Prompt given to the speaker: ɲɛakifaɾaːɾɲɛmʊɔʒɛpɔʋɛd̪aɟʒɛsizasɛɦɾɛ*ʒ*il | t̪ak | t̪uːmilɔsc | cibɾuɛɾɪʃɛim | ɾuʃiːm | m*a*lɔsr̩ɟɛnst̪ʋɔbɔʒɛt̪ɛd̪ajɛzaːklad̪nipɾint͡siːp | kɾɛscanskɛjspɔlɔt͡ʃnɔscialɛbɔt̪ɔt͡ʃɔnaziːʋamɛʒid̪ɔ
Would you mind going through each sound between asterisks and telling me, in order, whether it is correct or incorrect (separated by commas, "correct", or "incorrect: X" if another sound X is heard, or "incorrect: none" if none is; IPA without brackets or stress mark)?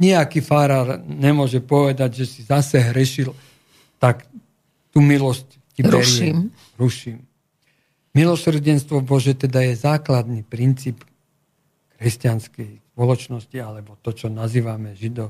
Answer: incorrect: ʃ, incorrect: i